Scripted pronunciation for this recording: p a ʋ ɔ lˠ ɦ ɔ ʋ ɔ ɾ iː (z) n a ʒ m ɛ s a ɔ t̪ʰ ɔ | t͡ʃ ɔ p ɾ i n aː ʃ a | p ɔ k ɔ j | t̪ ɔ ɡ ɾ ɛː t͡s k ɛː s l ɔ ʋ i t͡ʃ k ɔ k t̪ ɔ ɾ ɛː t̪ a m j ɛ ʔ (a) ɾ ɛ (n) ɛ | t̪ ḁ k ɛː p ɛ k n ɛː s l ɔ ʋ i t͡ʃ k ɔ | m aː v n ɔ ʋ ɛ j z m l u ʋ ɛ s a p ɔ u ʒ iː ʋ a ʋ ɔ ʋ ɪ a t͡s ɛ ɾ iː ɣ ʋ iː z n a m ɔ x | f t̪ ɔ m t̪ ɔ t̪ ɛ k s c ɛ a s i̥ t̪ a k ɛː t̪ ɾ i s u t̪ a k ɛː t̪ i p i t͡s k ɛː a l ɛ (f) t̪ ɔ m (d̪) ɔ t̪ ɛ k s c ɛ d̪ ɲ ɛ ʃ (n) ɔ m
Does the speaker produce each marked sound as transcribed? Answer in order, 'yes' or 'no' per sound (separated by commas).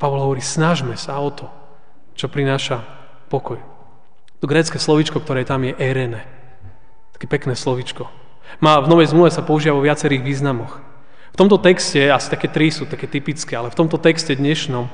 no, no, yes, yes, no, yes